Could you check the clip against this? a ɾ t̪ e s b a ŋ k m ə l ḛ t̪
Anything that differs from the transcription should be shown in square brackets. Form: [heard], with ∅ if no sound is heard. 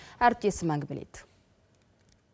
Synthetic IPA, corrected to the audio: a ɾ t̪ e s [m] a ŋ [ɡ] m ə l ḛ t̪